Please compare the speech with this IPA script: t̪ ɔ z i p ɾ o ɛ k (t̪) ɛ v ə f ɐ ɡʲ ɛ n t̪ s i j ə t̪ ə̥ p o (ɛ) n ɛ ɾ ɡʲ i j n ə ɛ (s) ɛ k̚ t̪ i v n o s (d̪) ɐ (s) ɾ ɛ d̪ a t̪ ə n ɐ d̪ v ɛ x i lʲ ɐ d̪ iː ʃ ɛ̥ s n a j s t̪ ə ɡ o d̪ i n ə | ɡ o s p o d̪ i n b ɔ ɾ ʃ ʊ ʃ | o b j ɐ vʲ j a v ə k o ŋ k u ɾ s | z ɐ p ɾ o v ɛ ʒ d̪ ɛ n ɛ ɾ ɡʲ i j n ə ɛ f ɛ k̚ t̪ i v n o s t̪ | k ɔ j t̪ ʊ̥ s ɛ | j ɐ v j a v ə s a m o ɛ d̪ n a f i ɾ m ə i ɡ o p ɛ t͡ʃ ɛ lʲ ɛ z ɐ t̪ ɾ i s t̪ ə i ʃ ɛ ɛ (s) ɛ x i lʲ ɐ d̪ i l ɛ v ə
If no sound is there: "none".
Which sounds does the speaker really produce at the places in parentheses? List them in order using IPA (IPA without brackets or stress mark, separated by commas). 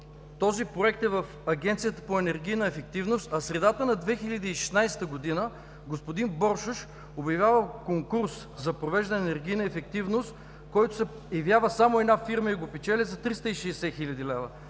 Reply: t̪, ɛ, f, t̪, s, s